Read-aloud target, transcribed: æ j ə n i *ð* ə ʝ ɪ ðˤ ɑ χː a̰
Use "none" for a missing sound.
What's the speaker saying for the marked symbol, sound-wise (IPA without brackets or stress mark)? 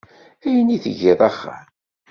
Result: θ